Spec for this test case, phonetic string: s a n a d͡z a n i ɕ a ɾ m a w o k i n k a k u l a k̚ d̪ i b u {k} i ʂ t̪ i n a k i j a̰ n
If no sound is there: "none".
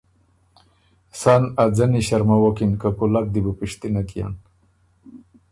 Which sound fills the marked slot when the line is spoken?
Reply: p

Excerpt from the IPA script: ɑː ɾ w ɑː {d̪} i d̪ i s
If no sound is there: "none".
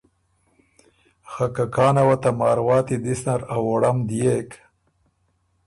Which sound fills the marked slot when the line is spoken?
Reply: t̪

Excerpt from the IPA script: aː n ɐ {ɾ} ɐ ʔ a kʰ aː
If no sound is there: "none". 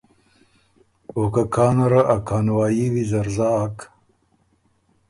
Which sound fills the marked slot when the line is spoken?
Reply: ɾ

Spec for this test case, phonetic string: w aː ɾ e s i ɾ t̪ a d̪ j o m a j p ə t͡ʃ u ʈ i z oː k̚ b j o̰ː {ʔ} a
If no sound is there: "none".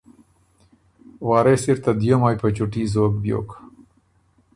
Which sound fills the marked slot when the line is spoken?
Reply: k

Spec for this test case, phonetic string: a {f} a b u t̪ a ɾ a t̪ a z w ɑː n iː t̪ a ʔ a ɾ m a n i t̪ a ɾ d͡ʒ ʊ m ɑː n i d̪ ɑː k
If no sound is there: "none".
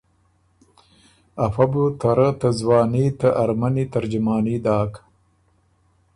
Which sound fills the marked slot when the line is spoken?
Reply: f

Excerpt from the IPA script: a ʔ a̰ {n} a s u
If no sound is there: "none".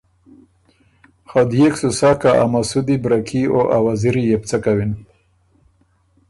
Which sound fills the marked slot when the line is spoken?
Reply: m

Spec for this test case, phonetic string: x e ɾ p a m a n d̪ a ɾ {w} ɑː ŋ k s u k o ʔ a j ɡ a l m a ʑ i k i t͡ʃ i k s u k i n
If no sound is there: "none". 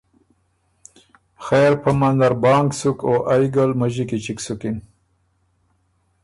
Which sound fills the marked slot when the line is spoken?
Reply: b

